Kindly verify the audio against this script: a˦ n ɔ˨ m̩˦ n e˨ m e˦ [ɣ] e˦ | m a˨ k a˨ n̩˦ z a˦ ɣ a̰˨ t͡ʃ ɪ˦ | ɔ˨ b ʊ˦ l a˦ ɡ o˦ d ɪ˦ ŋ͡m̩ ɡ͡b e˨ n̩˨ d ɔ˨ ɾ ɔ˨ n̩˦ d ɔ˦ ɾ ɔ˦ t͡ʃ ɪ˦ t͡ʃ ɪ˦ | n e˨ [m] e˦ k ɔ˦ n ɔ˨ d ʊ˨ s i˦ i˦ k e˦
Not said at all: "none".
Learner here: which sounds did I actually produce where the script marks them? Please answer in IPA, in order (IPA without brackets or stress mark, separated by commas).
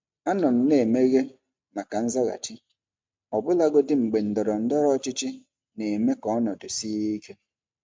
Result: ɣ, m